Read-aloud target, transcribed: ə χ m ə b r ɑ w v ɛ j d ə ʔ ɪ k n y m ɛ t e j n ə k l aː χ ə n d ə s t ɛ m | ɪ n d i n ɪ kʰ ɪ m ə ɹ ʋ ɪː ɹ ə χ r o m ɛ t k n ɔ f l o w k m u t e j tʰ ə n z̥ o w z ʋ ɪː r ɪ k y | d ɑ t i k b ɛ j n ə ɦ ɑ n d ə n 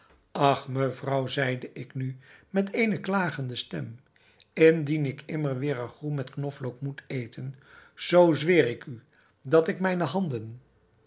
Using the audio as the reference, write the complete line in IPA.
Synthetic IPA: ɑ χ m ə v r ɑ w z ɛ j d ə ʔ ɪ k n y m ɛ t e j n ə k l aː χ ə n d ə s t ɛ m | ɪ n d i n ɪ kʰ ɪ m ə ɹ ʋ ɪː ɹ ə χ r u m ɛ t k n ɔ f l o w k m u t e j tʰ ə n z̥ o w z ʋ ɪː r ɪ k y | d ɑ t ɪ k m ɛ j n ə ɦ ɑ n d ə n